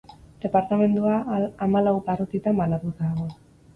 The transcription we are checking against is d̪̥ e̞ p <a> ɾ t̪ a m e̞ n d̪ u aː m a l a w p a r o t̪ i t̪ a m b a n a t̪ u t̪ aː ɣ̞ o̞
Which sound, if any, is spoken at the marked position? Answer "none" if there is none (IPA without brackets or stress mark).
a